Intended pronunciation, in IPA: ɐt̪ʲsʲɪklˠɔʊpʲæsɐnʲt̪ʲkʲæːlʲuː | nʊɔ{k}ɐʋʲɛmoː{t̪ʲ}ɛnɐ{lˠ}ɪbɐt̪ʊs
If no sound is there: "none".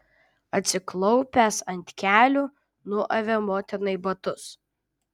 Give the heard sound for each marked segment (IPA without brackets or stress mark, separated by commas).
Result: ʔ, t̪ʲ, none